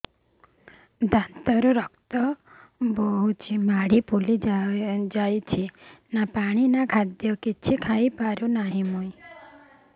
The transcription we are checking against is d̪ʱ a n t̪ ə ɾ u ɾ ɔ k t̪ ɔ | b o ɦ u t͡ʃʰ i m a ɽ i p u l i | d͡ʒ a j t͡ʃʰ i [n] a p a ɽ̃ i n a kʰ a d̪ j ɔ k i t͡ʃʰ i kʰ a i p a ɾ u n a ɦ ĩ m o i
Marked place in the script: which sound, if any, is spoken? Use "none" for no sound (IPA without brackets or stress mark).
n